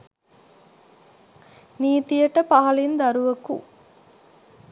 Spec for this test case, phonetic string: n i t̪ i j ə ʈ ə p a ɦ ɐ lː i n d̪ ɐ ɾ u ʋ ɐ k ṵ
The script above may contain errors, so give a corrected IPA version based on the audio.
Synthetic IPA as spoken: n iː t̪ i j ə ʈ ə p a ɦ ɐ l i n d̪ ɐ ɾ u ʋ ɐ k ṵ